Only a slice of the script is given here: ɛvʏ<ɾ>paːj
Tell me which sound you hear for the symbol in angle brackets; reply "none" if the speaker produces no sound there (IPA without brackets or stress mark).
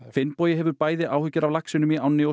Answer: ɾ